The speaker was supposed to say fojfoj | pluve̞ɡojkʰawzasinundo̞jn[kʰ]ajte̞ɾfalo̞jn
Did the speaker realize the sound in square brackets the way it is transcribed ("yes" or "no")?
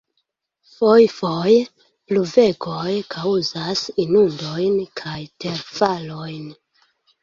yes